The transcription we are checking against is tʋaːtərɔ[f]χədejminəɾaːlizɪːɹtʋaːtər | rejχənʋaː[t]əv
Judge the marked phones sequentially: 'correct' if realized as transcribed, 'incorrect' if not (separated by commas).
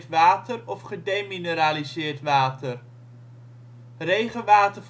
correct, correct